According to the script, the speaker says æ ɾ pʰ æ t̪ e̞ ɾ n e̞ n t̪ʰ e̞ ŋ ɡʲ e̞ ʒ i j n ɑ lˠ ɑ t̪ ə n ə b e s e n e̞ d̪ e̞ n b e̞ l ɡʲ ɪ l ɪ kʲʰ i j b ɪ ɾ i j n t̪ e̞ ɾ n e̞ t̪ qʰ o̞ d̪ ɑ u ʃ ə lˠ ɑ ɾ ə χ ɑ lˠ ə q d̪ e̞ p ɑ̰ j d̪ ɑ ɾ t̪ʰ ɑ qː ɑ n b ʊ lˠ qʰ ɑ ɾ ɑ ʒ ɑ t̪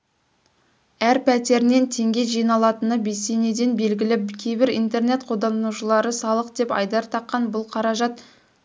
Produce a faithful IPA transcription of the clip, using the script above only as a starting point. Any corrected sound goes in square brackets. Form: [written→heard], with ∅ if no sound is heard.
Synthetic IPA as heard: æ ɾ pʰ æ t̪ e̞ ɾ n e̞ n t̪ʰ e̞ ŋ ɡʲ e̞ ʒ i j n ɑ lˠ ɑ t̪ ə n ə b e s e n e̞ d̪ e̞ n b e̞ l ɡʲ ɪ l ɪ kʲʰ [i→e] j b ɪ ɾ i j n t̪ e̞ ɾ n e̞ t̪ qʰ o̞ d̪ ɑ u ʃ ə lˠ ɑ ɾ ə [χ→s] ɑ lˠ ə q d̪ e̞ p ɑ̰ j d̪ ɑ ɾ t̪ʰ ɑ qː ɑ n b ʊ lˠ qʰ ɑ ɾ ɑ ʒ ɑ t̪